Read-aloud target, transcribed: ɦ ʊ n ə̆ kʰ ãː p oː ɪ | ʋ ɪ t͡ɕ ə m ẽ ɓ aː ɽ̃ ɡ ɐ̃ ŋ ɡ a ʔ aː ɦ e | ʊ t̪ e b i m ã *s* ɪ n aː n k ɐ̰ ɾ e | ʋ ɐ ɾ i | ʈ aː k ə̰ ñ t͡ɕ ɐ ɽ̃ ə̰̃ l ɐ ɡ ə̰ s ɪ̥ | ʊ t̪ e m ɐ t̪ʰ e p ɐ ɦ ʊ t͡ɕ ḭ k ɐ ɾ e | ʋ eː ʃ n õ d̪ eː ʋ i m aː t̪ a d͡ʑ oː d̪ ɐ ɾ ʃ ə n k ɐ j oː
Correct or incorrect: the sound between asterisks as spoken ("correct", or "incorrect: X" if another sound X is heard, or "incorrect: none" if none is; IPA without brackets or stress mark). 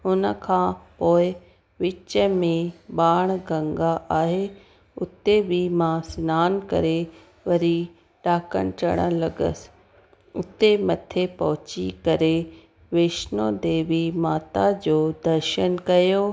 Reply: correct